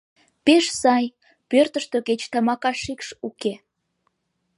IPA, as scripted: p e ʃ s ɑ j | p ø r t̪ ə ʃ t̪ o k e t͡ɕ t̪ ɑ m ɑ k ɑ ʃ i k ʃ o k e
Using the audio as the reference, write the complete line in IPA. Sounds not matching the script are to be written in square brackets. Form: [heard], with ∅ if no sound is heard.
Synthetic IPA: p e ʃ s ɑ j | p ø r t̪ ə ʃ t̪ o k e t͡ɕ t̪ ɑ m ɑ k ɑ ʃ i k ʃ [u] k e